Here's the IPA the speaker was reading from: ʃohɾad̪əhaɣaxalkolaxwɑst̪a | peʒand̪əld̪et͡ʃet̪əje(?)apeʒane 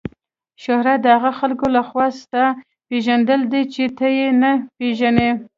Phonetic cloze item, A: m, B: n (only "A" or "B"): B